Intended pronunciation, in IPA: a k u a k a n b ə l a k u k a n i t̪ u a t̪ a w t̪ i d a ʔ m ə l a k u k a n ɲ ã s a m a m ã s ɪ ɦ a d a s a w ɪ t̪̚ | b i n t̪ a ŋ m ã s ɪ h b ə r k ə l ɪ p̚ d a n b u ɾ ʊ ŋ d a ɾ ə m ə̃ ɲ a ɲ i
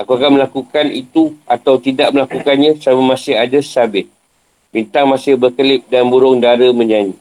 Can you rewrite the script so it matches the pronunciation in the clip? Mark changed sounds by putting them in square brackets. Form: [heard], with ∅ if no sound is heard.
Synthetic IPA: a k u a k a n [m] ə l a k u k a n i t̪ u a t̪ a w t̪ i d a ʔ m ə l a k u k a n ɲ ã s a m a m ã s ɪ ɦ a d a s a [b] ɪ t̪̚ | b i n t̪ a ŋ m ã s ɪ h b ə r k ə l ɪ p̚ d a n b u ɾ ʊ ŋ d a ɾ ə m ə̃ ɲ a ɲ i